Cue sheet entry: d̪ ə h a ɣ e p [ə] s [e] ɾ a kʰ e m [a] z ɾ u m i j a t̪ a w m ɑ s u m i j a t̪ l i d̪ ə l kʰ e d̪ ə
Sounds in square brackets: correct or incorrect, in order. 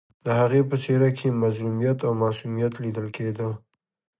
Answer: correct, correct, correct

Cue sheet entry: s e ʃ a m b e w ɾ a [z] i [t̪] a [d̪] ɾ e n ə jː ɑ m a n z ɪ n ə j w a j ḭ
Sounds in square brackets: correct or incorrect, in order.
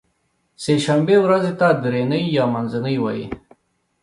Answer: correct, correct, correct

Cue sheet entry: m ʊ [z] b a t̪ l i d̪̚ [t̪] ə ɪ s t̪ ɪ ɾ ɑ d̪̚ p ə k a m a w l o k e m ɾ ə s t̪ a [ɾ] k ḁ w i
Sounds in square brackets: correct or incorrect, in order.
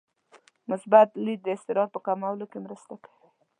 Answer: incorrect, incorrect, incorrect

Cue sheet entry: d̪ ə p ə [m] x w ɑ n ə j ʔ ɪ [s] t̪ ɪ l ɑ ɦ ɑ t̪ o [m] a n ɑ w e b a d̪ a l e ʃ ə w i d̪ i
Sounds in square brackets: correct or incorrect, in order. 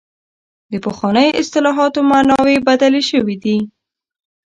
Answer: incorrect, correct, correct

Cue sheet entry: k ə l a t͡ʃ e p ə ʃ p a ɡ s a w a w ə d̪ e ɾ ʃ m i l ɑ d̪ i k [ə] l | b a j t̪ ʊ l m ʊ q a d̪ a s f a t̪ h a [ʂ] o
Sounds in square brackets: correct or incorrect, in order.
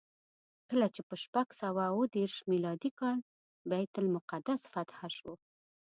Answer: incorrect, incorrect

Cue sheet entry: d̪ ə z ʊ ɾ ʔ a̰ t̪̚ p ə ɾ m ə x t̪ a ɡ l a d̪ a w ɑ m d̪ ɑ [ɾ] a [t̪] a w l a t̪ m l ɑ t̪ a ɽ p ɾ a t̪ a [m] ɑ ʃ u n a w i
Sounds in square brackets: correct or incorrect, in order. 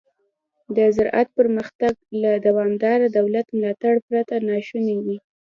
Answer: correct, incorrect, incorrect

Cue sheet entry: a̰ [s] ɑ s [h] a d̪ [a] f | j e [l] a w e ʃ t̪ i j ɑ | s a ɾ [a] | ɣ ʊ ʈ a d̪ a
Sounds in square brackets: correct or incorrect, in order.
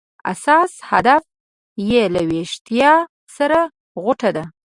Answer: correct, correct, correct, correct, correct

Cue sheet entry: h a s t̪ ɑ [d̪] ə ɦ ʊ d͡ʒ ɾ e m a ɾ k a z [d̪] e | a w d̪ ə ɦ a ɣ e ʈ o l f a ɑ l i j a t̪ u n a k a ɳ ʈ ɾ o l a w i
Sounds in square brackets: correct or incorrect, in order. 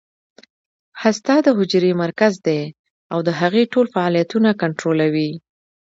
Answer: correct, correct

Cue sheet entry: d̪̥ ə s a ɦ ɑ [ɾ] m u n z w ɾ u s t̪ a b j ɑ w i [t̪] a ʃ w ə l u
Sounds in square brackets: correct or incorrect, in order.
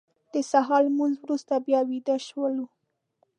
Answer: incorrect, incorrect

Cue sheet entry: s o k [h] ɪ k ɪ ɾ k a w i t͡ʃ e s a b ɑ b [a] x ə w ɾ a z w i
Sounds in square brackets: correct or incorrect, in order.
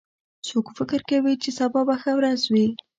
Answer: incorrect, correct

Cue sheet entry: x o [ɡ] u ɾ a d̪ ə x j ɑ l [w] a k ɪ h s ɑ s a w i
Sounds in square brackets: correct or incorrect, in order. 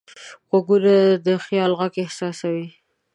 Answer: correct, incorrect

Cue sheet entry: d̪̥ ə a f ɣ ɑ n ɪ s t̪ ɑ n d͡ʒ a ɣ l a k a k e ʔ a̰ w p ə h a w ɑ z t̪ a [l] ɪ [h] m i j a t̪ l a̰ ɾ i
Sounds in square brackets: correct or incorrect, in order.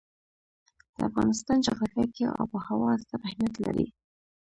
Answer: incorrect, correct

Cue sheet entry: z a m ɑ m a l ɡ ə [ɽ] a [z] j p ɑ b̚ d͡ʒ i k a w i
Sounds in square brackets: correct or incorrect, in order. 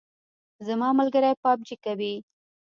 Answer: incorrect, incorrect

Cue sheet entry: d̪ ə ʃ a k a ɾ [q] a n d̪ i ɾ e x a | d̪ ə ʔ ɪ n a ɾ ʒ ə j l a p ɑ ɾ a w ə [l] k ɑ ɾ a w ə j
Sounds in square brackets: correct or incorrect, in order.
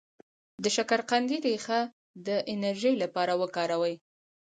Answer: correct, incorrect

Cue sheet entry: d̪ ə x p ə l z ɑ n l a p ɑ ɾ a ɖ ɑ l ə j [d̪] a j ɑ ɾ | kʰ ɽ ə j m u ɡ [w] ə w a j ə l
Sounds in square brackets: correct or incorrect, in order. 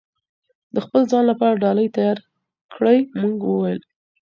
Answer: incorrect, correct

